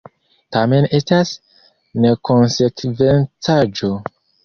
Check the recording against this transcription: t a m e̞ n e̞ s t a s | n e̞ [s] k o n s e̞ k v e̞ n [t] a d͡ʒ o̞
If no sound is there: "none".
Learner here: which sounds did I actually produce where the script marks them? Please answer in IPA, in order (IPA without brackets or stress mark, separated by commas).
none, t͡s